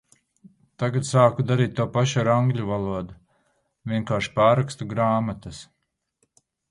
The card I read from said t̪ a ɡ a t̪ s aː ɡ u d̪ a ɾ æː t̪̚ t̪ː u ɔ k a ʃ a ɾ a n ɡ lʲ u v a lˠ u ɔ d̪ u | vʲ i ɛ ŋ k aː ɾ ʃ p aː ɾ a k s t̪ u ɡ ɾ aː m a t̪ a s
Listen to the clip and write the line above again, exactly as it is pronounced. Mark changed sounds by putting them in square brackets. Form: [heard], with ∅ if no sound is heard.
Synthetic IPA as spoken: t̪ a ɡ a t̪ s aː [k] u d̪ a ɾ [iː] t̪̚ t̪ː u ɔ [p] a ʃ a ɾ a [ŋ] ɡ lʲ u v a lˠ u ɔ d̪ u | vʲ i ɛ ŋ k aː ɾ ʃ p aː ɾ a k s t̪ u ɡ ɾ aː m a t̪ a s